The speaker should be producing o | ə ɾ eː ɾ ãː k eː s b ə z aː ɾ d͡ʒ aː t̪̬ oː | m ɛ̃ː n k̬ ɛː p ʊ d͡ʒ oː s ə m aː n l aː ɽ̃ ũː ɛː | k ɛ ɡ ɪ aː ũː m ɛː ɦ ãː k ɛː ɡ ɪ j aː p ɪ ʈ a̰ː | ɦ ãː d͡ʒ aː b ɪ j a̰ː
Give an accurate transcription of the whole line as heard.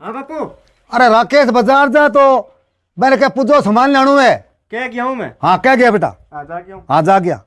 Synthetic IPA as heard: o | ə ɾ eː ɾ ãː k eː s b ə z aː ɾ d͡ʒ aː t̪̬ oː | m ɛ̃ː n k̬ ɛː p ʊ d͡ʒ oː s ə m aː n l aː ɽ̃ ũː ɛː | k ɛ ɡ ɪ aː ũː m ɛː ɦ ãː k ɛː ɡ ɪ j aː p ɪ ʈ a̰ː | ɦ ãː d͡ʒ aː ɡ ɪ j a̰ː